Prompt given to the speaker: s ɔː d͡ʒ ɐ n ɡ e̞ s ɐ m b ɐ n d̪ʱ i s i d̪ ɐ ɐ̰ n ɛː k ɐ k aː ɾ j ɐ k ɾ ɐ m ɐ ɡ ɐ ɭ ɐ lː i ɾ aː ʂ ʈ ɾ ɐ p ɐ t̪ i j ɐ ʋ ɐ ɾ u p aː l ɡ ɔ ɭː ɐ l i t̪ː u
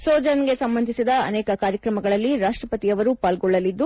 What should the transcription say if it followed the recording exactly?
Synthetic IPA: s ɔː d͡ʒ ɐ n ɡ e̞ s ɐ m b ɐ n d̪ʱ i s i d̪ ɐ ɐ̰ n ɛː k ɐ k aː ɾ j ɐ k ɾ ɐ m ɐ ɡ ɐ ɭ ɐ lː i ɾ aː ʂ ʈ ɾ ɐ p ɐ t̪ i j ɐ ʋ ɐ ɾ u p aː l ɡ ɔ ɭː ɐ l i d̪ː u

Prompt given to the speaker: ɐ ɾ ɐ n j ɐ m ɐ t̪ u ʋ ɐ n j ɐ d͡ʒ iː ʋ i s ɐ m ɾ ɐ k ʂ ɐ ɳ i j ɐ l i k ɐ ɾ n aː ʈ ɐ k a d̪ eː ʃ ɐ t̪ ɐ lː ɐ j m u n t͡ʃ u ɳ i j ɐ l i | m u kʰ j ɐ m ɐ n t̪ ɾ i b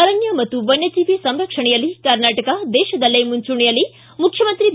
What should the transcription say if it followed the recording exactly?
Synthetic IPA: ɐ ɾ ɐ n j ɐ m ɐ t̪ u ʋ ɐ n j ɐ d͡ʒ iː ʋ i s ɐ m ɾ ɐ k ʂ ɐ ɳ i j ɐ l i k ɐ ɾ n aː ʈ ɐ k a d̪ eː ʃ ɐ d̪ ɐ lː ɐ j m u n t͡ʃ u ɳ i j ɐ l i | m u kʰ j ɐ m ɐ n t̪ ɾ i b

